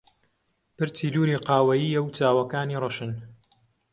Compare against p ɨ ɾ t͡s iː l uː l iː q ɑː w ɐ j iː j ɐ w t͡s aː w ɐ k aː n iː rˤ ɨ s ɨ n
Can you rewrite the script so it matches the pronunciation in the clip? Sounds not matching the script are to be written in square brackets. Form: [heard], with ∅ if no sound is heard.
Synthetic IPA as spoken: p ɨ ɾ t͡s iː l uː [ɾ] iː q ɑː w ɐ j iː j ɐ w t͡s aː w ɐ k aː n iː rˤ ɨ [ʃ] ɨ n